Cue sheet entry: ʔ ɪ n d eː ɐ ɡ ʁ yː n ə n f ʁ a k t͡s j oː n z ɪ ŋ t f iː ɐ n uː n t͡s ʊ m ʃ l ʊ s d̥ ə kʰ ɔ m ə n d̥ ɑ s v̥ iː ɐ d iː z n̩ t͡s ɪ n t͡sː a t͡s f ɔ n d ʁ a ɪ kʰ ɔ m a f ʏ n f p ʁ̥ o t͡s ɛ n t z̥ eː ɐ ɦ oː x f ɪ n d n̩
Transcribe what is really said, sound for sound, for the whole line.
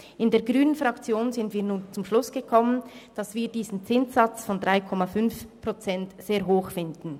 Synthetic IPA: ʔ ɪ n d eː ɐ ɡ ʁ yː n ə n f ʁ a k t͡s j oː n z ɪ n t v iː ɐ n uː n t͡s ʊ m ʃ l ʊ s ɡ̥ ə kʰ ɔ m ə n d̥ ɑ s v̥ iː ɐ d iː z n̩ t͡s ɪ n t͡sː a t͡s f ɔ n d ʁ a ɪ kʰ ɔ m a f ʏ n f p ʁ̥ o t͡s ɛ n t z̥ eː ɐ ɦ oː x f ɪ n d n̩